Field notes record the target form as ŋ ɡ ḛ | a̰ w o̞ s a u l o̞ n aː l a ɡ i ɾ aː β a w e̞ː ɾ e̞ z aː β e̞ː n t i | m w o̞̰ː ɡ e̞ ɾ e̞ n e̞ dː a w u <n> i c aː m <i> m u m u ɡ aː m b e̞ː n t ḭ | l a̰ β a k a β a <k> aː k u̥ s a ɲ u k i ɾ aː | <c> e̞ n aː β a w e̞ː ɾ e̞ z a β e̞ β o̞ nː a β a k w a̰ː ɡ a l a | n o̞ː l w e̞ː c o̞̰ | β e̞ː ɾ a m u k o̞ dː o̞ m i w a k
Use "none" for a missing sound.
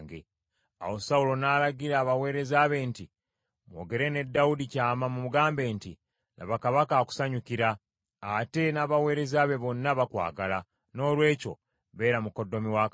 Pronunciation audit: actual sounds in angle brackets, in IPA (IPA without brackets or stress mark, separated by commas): d, a, k, t